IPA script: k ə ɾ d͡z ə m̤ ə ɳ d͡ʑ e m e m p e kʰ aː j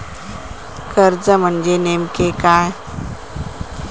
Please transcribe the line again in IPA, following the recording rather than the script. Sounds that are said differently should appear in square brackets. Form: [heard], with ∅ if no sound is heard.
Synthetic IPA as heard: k ə ɾ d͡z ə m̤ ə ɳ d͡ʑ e [n] e m [k] e [k] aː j